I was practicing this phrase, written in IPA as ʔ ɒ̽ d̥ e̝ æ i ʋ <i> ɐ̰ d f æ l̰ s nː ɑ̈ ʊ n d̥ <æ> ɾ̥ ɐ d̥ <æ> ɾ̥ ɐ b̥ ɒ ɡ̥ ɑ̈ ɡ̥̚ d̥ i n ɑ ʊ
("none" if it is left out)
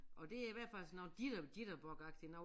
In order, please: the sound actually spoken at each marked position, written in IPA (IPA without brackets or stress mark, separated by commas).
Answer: æ, i, i